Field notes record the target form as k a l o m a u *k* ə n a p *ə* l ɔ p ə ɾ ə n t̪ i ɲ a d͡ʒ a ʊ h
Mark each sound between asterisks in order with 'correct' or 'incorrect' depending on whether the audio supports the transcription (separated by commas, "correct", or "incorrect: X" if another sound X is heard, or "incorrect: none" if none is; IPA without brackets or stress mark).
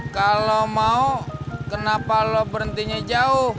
correct, incorrect: a